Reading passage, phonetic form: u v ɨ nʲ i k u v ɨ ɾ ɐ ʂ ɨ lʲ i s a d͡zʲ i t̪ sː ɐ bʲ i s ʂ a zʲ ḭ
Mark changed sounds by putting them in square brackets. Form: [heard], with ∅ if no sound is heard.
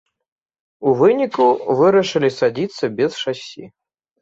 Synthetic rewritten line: u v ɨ nʲ i k u v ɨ ɾ ɐ ʂ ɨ lʲ i s a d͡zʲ i t̪ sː ɐ bʲ [ɛ] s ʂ a [sʲ] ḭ